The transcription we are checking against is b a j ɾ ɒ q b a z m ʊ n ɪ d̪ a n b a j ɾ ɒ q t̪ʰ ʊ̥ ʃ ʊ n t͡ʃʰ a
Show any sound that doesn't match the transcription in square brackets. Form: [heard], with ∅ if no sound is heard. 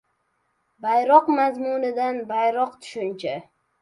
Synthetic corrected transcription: b a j ɾ ɒ q [m] a z m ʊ n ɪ d̪ a n b a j ɾ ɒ q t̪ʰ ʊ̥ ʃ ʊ n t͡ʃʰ a